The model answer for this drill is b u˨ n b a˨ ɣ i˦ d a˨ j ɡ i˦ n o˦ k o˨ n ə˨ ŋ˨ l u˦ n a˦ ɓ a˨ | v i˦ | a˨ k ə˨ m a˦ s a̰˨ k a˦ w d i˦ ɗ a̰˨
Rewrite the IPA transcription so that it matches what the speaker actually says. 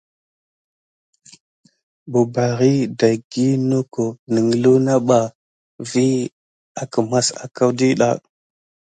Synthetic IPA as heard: b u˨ b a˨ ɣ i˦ d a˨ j ɡ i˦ n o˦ k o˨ n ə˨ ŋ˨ l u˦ n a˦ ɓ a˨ | v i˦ | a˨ k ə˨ m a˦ s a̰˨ k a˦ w d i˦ ɗ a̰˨

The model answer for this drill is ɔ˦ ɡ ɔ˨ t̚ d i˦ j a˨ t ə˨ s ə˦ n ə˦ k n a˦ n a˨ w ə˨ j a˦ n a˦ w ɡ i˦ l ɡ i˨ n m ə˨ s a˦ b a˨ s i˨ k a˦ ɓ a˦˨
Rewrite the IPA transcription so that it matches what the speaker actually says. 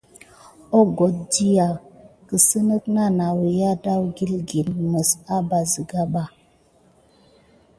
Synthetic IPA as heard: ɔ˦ ɡ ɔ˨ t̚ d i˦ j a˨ k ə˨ s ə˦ n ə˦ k n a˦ n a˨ w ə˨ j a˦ d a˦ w ɡ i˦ l ɡ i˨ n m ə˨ s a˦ b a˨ z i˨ ɡ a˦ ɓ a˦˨

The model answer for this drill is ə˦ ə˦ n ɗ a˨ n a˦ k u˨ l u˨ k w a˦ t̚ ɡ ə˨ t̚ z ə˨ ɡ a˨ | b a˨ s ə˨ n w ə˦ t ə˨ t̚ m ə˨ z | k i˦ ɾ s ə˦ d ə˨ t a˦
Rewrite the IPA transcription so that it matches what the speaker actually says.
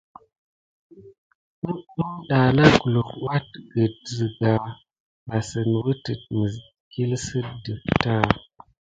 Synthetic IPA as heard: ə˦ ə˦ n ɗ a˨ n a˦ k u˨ l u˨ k w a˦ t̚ ɡ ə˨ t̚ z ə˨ ɡ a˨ | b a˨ s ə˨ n w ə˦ t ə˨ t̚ m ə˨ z | k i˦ l s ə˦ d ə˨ t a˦

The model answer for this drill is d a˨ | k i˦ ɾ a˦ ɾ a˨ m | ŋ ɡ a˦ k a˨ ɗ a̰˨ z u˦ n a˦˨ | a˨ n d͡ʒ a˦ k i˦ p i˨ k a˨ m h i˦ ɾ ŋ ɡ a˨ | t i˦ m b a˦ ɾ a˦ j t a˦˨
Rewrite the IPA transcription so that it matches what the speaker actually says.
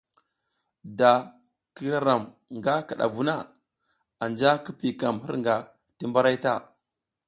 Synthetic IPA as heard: d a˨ | k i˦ ɾ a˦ ɾ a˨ m | ŋ ɡ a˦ k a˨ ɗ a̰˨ v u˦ n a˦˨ | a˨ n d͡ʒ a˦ k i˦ p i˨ k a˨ m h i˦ ɾ ŋ ɡ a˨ | t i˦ m b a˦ ɾ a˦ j t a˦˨

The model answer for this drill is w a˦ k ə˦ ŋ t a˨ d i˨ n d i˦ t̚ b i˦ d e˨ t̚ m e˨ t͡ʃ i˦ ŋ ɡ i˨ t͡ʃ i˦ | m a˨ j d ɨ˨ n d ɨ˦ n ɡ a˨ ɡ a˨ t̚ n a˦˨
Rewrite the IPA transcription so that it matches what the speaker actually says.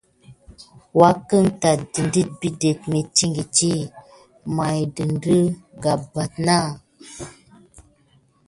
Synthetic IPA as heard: w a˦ k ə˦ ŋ t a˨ d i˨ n d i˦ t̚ b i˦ d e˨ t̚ m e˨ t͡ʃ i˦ ŋ ɡ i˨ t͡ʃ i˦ | m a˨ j d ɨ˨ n d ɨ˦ ɡ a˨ b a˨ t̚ n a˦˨

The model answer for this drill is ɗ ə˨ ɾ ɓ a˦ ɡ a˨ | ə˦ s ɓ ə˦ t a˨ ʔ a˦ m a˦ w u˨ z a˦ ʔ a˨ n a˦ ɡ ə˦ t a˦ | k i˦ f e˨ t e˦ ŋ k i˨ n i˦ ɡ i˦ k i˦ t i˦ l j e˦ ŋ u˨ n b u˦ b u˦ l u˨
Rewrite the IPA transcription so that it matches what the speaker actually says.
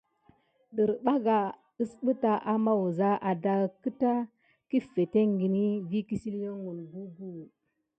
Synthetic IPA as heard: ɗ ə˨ ɾ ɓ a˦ ɡ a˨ | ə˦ s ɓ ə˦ t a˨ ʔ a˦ m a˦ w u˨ z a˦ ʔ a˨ d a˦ k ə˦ t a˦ | k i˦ f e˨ t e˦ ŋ ɡ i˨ n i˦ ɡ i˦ k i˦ s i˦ l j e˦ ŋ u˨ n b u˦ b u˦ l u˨

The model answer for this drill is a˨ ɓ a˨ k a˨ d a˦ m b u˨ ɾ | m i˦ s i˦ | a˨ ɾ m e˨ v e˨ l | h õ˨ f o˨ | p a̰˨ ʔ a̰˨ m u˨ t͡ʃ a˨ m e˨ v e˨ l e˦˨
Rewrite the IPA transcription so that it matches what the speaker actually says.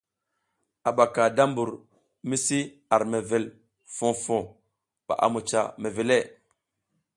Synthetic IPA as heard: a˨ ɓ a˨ k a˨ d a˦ m b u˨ ɾ | m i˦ s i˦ | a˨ ɾ m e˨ v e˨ l | f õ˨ f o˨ | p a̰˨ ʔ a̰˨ m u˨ t͡ʃ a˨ m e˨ v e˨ l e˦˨

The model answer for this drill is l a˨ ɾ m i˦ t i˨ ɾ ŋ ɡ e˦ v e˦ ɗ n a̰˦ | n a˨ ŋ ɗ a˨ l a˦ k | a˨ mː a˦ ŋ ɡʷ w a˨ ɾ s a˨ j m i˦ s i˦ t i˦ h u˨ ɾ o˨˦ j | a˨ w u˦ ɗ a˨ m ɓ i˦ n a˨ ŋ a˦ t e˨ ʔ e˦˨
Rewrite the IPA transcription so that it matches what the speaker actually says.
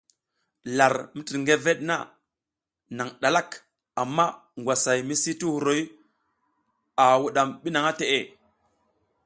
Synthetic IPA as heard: l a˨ ɾ m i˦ t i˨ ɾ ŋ ɡ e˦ v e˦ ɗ n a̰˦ | n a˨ ŋ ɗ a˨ l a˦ k | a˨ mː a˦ ŋ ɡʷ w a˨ s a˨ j m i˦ s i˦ t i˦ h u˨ ɾ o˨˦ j | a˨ w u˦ ɗ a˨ m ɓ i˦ n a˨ ŋ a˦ t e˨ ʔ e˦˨

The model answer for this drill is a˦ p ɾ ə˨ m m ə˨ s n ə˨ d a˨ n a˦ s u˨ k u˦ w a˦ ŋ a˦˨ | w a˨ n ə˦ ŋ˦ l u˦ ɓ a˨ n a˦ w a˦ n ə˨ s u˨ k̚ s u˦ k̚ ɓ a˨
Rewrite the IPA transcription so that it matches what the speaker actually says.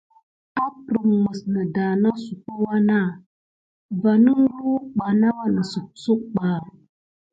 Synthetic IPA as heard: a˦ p ɾ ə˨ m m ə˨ s n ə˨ d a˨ n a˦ s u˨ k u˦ w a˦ n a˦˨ | v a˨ n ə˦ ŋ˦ l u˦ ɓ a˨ n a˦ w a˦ n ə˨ s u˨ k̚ s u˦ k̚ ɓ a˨

